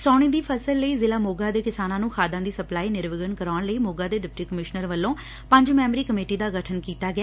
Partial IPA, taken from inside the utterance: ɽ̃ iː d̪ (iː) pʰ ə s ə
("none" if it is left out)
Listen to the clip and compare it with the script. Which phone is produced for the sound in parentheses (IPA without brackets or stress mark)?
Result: iː